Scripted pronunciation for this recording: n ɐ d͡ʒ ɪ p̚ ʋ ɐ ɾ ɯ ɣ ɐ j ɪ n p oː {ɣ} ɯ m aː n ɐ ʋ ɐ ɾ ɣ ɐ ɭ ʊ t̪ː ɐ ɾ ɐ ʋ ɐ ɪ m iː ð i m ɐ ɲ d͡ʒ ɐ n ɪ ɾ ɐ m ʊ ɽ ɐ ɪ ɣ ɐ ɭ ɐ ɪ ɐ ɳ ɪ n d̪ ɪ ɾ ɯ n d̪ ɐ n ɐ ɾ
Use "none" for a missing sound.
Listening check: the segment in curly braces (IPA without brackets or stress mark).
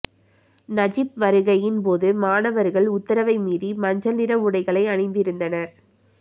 ð